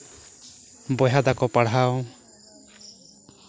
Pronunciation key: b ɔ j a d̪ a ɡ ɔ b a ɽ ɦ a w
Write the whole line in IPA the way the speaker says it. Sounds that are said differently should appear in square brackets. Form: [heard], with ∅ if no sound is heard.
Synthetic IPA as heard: b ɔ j a d̪ a [k] ɔ [p] a ɽ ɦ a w